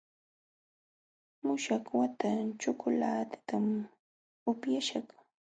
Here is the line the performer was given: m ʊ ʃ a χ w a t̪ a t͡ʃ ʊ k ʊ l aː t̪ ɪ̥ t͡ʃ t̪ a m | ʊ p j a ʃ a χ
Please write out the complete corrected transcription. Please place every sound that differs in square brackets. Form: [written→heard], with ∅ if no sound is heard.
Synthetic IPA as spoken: m ʊ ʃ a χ w a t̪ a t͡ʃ ʊ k ʊ l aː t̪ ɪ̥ [t͡ʃ→∅] t̪ a m | ʊ p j a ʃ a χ